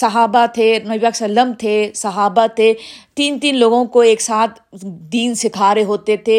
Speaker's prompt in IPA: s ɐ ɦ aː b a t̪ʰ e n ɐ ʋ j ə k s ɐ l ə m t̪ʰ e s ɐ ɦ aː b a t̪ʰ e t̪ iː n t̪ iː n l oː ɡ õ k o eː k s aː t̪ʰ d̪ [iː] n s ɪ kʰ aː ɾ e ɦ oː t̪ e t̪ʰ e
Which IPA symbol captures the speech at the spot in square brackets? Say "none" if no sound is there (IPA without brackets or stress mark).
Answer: iː